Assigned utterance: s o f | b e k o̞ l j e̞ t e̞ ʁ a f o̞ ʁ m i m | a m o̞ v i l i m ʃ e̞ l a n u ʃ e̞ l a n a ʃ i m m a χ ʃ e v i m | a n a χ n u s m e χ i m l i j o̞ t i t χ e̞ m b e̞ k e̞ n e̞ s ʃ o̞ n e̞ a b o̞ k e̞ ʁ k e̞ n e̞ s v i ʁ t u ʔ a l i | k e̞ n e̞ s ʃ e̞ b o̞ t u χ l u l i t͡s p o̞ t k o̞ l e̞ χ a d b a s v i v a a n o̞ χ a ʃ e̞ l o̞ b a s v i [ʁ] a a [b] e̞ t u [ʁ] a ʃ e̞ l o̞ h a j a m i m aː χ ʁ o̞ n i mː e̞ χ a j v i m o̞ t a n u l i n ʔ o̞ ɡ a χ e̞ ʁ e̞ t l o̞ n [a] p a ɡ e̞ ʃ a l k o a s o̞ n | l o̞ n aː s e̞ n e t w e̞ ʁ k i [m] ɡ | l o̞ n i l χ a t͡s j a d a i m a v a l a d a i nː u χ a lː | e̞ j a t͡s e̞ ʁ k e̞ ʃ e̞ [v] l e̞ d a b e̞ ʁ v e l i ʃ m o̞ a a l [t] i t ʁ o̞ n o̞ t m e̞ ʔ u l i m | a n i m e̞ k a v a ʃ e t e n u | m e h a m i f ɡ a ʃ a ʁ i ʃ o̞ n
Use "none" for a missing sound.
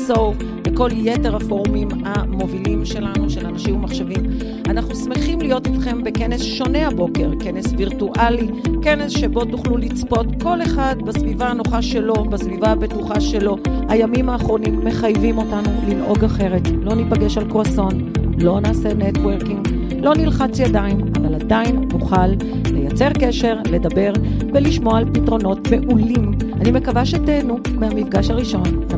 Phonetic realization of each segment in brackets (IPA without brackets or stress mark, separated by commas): v, b, χ, i, ŋ, ʁ, p